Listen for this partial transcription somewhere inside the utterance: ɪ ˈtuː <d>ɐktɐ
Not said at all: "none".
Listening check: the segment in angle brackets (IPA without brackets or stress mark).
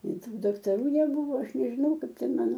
d